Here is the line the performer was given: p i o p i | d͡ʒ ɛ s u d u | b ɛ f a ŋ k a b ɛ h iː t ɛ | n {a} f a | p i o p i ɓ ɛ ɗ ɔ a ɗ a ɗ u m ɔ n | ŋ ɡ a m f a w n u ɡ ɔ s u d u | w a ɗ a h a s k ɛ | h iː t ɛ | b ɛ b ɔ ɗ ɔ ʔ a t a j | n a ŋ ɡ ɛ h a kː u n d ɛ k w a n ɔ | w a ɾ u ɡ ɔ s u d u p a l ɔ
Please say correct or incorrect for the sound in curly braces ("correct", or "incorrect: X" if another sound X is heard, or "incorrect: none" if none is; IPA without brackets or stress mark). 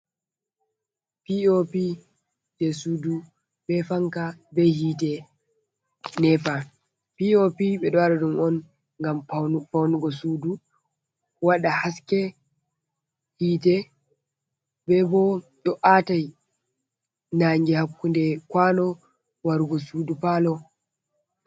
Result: incorrect: ɛ